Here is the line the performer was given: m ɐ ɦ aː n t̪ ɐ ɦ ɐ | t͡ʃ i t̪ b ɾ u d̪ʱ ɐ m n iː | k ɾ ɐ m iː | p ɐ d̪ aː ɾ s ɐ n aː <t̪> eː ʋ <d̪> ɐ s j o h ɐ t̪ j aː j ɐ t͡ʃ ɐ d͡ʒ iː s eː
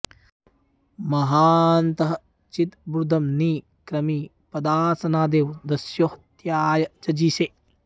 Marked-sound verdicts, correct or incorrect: incorrect: d̪, correct

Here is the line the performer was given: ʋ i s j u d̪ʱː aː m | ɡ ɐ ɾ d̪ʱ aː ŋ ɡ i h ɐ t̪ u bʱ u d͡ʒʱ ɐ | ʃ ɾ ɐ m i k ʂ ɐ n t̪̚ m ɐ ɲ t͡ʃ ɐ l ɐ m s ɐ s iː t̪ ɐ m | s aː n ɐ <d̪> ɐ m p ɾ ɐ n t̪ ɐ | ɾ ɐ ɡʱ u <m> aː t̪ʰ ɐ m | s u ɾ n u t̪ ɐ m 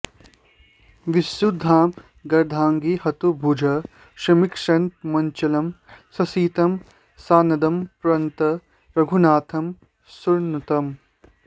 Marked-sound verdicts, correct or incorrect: correct, incorrect: n

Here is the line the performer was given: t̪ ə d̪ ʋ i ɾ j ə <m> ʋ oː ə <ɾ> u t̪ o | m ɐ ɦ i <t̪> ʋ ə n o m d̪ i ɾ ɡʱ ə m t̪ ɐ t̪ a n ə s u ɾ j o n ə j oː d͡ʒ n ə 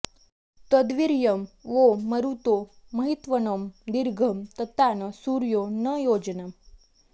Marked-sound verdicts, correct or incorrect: correct, correct, correct

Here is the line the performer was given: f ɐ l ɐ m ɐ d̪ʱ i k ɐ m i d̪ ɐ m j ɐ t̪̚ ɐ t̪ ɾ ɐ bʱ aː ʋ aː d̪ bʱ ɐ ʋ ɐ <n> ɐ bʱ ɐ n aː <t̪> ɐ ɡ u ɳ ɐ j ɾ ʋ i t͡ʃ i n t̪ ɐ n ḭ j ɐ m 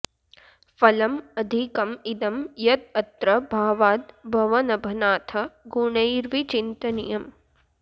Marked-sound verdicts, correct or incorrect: correct, incorrect: t̪ʰ

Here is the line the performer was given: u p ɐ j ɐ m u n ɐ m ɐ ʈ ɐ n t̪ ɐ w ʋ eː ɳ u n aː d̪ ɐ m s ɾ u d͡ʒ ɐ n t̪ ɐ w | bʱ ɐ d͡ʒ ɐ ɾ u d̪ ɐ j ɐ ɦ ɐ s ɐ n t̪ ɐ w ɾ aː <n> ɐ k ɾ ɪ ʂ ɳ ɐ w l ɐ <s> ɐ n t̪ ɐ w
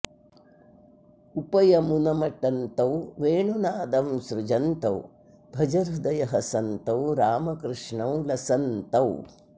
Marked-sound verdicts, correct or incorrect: incorrect: m, correct

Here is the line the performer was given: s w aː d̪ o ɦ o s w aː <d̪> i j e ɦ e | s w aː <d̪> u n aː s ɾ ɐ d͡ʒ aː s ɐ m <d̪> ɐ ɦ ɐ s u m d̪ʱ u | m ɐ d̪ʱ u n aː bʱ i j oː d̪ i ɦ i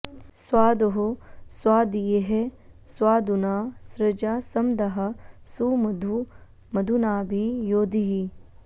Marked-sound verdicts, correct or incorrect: correct, correct, correct

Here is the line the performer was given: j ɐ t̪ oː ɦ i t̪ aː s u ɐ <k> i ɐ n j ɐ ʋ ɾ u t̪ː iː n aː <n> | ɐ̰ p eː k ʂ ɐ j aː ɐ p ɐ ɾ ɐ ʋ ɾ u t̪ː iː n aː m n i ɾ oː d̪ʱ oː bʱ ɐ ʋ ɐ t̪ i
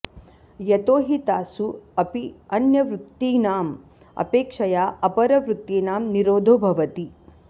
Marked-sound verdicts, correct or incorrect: incorrect: p, incorrect: m

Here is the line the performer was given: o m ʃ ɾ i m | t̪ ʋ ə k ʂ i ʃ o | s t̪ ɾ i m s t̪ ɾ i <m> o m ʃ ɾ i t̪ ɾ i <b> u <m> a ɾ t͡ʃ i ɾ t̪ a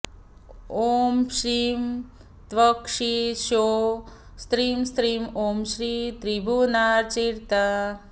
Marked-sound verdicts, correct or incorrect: correct, correct, incorrect: n

